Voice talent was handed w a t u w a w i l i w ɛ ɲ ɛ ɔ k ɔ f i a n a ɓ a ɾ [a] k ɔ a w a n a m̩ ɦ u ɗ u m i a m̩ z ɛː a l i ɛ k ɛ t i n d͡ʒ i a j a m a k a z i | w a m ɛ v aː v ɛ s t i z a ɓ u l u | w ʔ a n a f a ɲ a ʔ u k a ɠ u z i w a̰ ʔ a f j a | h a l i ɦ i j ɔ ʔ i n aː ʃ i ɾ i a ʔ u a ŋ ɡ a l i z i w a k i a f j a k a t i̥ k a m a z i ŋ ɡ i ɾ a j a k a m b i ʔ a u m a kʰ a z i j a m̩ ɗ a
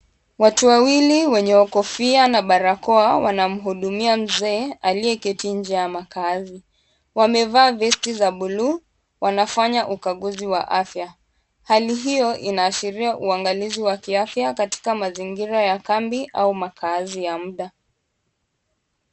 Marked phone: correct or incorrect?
correct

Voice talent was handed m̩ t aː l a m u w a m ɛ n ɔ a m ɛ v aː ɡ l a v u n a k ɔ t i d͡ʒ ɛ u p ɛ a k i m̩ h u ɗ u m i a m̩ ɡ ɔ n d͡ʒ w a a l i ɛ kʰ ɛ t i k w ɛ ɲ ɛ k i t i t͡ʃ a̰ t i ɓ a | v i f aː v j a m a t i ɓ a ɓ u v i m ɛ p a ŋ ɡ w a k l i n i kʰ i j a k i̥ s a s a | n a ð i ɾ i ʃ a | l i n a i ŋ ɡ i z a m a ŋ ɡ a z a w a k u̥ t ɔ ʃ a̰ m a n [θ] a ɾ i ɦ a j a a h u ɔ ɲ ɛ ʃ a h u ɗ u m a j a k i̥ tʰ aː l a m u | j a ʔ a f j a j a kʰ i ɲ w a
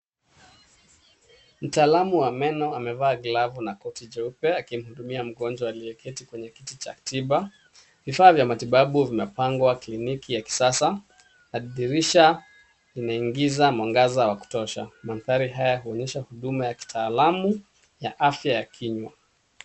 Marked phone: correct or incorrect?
correct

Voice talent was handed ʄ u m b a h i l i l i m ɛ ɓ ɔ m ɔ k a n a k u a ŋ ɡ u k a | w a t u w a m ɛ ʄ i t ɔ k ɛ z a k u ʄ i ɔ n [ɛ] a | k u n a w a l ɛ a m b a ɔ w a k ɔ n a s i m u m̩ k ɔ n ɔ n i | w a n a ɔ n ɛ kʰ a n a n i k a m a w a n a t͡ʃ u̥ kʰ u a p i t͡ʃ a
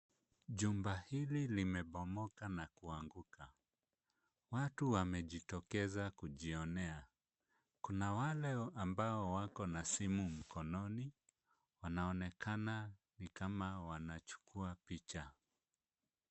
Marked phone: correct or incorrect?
correct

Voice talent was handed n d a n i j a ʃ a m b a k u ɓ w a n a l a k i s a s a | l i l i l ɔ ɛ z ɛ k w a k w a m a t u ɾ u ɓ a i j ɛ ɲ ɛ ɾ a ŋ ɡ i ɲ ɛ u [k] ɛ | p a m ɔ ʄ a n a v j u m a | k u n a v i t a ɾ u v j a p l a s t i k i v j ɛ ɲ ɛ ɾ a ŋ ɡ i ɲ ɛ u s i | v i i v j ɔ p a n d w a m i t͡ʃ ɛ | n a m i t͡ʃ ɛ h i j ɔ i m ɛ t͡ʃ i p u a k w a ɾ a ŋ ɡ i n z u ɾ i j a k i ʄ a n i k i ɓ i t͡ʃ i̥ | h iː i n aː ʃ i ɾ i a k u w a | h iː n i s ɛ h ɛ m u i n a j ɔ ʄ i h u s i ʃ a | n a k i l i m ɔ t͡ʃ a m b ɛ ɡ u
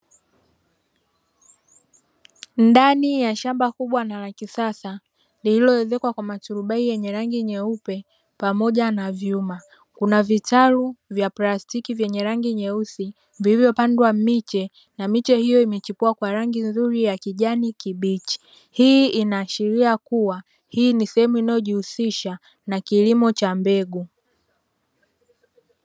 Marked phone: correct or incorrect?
incorrect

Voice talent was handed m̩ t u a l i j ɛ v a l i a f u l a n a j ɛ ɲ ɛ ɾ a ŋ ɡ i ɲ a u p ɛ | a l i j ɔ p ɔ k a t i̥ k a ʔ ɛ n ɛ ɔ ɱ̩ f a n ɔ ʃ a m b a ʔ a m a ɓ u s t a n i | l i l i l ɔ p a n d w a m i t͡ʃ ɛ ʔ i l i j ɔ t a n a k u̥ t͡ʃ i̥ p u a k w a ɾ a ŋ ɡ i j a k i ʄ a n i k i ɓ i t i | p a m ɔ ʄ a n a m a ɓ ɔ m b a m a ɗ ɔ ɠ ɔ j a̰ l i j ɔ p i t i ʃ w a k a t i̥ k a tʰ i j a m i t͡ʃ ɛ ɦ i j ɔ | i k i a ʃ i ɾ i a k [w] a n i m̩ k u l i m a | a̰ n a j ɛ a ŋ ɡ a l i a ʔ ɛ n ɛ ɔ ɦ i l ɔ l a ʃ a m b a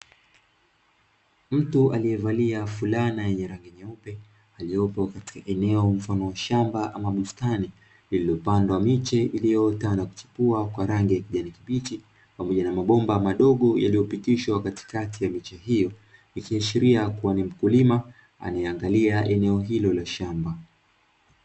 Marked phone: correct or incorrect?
incorrect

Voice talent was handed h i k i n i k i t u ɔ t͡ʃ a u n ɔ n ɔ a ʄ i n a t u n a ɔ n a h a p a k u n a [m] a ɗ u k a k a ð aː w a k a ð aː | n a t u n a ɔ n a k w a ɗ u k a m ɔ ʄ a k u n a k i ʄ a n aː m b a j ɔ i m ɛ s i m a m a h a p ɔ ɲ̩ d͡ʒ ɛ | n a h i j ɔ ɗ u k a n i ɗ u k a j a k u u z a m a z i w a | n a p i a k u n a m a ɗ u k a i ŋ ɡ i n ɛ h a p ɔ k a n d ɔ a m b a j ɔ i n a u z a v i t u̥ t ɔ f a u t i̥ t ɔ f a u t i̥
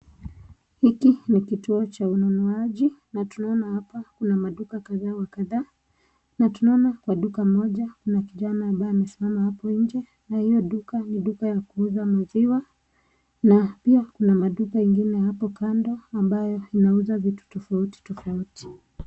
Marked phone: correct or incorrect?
correct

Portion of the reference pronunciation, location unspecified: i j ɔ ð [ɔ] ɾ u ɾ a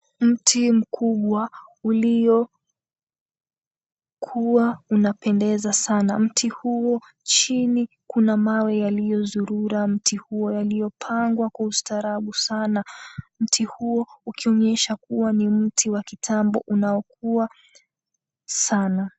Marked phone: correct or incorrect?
incorrect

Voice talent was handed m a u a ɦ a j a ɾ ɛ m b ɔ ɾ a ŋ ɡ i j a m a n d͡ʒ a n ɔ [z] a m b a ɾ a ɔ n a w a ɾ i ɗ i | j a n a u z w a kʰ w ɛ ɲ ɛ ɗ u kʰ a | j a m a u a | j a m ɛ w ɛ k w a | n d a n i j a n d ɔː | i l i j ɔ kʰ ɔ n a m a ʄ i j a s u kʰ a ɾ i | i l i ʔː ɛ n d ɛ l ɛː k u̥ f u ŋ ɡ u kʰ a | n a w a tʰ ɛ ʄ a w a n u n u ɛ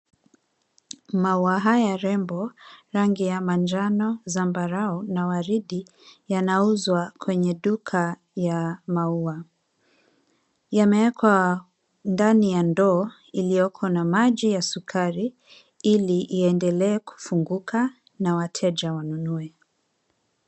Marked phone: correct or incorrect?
correct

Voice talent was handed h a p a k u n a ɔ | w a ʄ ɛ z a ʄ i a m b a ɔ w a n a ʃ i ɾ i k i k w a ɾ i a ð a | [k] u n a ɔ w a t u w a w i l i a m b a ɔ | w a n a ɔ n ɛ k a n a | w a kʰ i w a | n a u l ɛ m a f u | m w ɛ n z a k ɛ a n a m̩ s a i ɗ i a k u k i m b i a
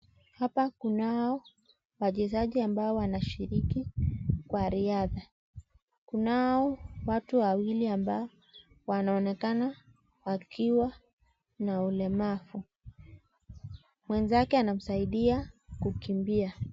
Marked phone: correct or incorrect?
correct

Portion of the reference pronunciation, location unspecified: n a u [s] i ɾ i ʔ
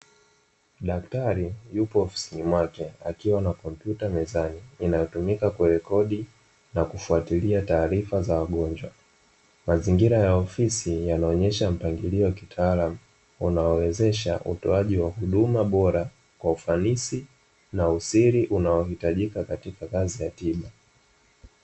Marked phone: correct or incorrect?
correct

